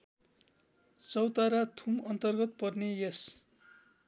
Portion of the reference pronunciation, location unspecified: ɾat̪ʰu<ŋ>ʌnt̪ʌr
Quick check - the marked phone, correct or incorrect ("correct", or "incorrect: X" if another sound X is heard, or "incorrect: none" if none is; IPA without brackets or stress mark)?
incorrect: m